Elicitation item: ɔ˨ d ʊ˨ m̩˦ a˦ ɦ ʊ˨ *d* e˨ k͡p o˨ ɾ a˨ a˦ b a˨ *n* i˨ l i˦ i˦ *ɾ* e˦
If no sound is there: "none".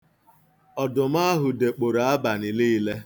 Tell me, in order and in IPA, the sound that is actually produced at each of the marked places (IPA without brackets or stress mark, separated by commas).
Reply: d, n, l